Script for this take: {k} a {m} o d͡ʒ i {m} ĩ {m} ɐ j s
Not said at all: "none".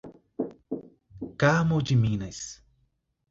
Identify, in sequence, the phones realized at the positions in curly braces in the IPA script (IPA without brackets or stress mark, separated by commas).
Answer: k, m, m, n